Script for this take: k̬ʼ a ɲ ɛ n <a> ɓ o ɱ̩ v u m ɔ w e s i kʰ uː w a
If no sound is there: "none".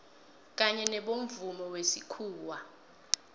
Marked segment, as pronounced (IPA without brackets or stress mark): ɛ